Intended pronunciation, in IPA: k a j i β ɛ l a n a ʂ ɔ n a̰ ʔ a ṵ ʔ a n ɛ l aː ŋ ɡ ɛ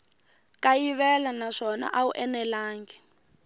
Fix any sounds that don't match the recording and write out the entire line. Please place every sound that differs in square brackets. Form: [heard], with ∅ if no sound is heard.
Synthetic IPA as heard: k a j i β ɛ l a n a ʂ ɔ n a̰ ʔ a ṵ ʔ [ɛ] n ɛ l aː ŋ ɡ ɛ